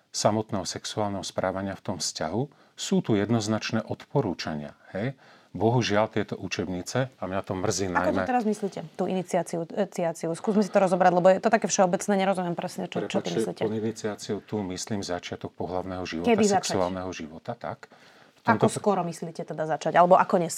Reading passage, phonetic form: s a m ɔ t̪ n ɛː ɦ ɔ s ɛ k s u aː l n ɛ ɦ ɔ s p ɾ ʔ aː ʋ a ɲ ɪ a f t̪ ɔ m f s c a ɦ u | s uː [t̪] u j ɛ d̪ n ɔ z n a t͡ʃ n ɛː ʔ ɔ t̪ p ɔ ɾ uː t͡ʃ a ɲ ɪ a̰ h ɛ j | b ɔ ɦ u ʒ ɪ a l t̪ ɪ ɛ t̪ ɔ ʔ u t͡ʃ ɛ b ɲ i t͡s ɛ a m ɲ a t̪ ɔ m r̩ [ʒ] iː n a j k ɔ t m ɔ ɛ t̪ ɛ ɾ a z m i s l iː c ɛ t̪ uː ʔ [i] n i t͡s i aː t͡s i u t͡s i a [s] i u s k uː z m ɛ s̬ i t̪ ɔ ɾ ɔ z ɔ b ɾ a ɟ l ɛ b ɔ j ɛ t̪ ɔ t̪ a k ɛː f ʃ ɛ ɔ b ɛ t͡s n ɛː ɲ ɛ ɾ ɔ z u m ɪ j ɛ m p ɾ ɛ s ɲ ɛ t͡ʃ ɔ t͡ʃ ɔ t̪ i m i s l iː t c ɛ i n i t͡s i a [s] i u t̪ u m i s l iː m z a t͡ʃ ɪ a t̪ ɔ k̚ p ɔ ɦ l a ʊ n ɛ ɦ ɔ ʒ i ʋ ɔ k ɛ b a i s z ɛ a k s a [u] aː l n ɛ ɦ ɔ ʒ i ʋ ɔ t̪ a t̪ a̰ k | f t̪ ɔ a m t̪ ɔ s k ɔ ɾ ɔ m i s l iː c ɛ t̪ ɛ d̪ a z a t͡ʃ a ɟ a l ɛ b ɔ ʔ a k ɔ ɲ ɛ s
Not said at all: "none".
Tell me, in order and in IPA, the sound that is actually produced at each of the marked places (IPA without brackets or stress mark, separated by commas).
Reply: t̪, z, i, t͡s, t͡s, u